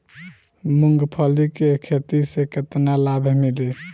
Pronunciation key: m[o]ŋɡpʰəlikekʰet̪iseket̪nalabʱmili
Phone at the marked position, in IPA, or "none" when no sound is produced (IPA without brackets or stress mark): u